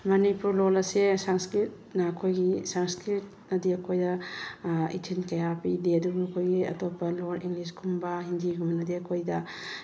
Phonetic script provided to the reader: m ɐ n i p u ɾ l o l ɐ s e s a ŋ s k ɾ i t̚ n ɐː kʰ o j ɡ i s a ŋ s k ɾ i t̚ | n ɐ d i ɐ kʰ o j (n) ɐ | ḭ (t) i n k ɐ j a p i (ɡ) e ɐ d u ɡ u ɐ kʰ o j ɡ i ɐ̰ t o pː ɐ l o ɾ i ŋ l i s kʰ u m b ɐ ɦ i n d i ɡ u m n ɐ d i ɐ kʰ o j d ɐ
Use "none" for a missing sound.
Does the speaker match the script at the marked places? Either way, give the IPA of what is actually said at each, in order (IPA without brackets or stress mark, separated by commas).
d, tʰ, d